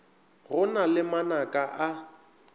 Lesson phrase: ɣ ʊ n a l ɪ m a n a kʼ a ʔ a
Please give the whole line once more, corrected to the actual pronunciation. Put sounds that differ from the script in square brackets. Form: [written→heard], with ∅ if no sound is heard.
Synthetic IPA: ɣ ʊ n a l ɪ m a n a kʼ a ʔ a